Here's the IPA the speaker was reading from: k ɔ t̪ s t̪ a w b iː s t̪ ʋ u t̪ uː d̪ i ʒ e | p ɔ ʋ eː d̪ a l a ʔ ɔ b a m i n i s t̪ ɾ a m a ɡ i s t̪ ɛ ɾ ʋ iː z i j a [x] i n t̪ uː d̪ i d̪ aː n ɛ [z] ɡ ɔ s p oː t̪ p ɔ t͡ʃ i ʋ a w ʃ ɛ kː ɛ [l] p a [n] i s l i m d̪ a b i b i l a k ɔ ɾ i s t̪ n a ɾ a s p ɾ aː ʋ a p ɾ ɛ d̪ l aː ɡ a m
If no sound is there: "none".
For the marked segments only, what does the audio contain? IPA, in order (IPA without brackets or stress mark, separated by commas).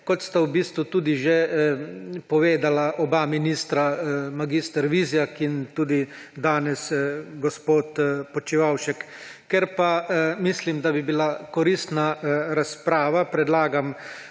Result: k, s, ɾ, m